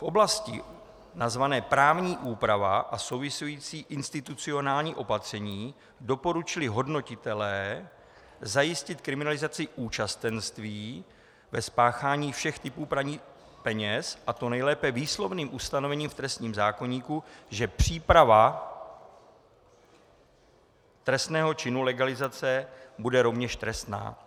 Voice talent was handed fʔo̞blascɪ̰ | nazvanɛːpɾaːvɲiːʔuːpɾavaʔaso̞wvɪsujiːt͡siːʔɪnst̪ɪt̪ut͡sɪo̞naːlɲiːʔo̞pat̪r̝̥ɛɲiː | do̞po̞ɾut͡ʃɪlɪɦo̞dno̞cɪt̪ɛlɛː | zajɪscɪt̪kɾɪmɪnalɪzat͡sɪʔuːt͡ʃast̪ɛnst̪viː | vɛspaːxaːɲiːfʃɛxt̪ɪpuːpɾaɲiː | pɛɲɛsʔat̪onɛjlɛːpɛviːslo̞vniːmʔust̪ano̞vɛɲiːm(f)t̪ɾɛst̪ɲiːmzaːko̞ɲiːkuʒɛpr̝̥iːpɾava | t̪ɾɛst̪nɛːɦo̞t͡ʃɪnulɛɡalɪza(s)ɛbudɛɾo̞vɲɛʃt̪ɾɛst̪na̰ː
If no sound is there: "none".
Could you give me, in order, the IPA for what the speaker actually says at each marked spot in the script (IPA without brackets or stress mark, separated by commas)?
f, t͡s